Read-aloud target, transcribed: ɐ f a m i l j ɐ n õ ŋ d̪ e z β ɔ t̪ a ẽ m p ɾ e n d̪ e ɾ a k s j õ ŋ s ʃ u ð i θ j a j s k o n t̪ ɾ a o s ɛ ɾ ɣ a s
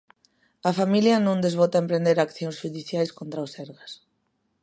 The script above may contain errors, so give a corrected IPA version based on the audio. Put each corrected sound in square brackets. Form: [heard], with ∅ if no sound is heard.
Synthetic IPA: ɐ f a m i l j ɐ n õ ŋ d̪ e z β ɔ t̪ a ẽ m p ɾ e n d̪ e ɾ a k [θ] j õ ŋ s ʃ u ð i θ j a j s k o n t̪ ɾ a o s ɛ ɾ ɣ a s